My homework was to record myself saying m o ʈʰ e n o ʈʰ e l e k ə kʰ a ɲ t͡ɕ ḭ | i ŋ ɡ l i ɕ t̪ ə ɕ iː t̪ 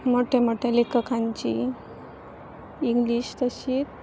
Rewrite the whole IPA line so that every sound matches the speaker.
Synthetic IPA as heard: m o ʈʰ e m o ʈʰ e l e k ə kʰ a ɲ t͡ɕ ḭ | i ŋ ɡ l i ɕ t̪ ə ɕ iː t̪